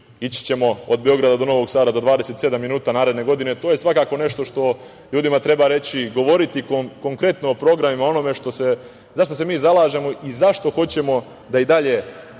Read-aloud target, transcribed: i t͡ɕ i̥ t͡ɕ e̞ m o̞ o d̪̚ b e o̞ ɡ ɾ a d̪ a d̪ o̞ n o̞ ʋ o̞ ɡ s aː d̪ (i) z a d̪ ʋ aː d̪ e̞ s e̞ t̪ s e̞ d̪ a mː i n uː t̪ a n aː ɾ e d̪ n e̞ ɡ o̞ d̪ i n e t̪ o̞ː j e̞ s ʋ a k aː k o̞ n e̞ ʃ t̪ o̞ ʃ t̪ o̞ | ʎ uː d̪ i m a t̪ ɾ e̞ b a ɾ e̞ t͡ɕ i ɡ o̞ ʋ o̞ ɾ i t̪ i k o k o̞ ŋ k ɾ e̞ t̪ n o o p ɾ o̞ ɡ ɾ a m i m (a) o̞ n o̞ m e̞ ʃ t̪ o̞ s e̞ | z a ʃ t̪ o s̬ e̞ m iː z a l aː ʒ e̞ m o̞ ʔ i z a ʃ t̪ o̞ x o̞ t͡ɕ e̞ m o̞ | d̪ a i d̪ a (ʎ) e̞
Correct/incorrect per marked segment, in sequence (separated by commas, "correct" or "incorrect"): incorrect, correct, correct